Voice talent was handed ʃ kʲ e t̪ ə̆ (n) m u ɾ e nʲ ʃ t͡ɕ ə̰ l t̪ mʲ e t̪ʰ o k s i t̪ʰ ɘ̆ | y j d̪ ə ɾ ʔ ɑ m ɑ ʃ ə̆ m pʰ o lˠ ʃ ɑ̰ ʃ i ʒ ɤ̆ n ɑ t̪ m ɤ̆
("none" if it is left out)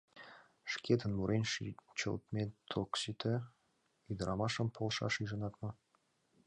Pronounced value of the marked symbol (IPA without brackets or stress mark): n